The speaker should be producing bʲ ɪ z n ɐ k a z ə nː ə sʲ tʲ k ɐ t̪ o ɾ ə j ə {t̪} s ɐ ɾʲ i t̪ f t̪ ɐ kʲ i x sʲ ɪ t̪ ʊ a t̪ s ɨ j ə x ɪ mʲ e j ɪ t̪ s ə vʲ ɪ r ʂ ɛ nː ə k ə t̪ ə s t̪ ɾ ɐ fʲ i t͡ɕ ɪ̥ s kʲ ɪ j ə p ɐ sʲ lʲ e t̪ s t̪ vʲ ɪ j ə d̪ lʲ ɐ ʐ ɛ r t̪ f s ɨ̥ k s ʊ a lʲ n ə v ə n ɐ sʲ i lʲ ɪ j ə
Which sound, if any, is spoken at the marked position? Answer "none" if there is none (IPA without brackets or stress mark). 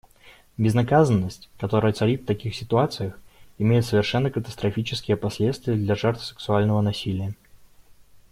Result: t̪